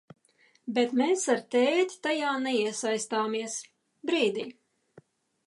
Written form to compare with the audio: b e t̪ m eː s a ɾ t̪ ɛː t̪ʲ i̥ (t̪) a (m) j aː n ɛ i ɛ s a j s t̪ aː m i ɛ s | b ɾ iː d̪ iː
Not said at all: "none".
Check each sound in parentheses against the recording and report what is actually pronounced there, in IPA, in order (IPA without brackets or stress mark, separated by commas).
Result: t̪, none